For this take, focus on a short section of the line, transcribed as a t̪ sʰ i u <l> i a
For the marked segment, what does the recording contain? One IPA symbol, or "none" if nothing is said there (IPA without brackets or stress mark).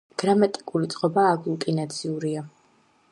ɾ